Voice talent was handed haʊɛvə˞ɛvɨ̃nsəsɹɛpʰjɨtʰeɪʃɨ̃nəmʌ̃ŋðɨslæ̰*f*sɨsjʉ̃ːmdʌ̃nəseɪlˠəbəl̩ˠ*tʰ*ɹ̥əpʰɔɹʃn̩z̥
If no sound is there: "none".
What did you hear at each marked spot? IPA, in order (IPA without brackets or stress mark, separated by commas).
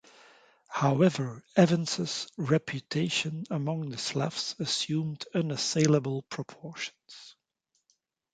f, pʰ